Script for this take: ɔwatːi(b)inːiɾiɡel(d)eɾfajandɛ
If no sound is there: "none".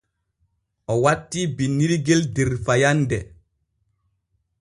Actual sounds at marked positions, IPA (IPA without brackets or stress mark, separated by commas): b, d